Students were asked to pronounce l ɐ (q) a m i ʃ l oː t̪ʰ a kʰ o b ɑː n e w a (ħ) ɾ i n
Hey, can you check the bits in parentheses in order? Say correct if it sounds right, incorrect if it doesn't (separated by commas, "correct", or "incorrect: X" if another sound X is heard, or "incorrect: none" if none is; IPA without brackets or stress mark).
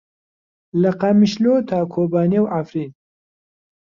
correct, incorrect: f